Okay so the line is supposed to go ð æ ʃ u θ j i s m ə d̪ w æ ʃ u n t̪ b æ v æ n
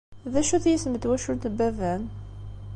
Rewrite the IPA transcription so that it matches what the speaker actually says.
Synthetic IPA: ð æ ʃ u θ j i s m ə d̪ w æ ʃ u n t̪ b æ v æ n